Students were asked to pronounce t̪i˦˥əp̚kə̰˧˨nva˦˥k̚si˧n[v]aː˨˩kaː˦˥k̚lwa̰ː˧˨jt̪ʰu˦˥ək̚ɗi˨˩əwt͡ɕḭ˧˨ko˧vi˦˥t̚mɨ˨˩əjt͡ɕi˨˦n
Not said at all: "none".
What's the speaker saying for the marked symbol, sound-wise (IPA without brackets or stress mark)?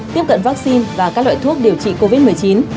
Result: v